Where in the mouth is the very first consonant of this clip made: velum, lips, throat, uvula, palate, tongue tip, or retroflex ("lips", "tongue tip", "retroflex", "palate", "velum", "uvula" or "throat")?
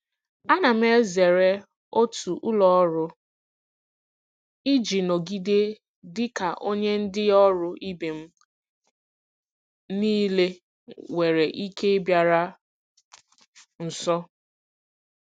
tongue tip